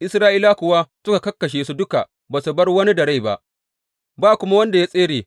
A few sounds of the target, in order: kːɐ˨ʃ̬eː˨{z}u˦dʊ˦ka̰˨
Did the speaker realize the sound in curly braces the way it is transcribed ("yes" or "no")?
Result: no